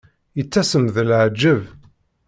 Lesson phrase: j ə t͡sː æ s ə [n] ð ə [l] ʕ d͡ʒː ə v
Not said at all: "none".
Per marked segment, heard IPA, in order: m, l

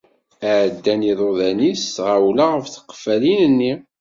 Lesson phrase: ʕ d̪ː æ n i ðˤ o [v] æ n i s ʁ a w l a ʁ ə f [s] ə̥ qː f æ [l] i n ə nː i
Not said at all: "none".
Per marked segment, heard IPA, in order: ð, θ, l

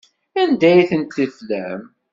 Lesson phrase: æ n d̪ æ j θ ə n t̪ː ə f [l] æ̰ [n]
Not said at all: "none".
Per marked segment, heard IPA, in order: l, m

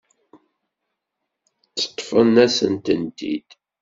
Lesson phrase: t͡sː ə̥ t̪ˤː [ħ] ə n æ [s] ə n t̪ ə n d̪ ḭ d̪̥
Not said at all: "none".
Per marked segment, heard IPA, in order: f, s

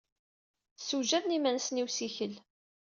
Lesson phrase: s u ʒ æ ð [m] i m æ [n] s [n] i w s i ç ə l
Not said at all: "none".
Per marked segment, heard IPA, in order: n, n, n

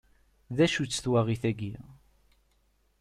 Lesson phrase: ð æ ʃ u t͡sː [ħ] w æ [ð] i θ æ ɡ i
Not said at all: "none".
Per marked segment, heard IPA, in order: θ, ʁ

